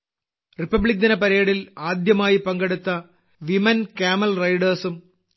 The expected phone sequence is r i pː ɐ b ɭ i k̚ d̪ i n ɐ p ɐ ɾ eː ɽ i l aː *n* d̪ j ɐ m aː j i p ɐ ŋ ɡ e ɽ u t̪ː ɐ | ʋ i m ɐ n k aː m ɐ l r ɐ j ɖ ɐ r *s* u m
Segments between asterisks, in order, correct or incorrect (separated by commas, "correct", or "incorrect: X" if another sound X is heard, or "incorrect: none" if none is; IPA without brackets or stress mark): incorrect: none, correct